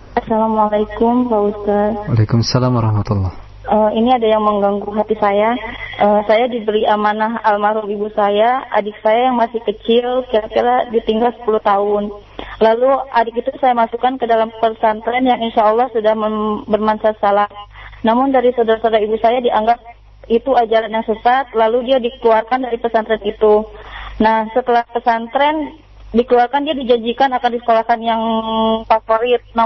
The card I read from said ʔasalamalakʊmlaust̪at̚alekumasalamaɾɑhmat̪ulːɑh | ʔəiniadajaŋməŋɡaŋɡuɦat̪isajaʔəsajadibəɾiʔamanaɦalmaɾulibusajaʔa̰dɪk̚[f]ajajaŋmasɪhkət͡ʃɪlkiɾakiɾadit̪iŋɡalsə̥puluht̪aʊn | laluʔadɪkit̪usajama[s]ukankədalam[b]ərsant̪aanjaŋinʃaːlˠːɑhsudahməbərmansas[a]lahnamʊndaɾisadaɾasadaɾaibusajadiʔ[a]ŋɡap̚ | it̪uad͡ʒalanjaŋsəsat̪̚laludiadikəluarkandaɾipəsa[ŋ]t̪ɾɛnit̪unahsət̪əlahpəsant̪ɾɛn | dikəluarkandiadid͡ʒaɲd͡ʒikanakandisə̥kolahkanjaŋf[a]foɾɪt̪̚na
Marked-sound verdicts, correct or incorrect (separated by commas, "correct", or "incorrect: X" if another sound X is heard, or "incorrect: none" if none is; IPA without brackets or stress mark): incorrect: s, correct, incorrect: p, correct, correct, incorrect: n, correct